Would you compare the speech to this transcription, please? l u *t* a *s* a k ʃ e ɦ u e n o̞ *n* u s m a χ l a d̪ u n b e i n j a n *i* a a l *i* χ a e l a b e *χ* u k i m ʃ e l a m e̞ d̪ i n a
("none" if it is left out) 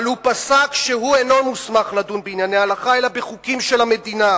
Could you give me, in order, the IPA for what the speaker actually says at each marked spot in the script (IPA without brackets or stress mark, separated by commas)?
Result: p, s, m, e, a, χ